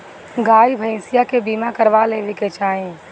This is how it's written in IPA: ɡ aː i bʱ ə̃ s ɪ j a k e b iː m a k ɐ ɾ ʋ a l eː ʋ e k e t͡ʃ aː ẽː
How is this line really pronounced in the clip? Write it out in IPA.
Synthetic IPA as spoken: ɡ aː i bʱ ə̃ s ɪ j a k e b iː m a k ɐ ɾ ʋ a l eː ʋ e k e t͡ʃ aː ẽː